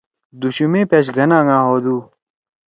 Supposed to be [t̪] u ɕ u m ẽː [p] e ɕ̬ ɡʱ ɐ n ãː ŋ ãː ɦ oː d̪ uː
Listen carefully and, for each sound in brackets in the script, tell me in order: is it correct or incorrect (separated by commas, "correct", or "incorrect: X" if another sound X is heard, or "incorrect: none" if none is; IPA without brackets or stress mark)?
incorrect: d̪, correct